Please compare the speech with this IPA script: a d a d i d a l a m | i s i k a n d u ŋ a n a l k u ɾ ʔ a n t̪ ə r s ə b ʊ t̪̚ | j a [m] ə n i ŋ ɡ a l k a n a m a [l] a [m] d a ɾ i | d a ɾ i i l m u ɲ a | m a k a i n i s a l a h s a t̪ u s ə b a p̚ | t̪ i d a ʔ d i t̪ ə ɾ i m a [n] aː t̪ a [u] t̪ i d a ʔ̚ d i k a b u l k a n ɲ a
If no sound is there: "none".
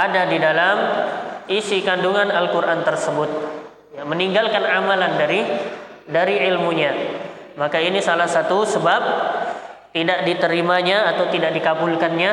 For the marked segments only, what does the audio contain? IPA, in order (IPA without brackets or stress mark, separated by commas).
m, l, n, ɲ, w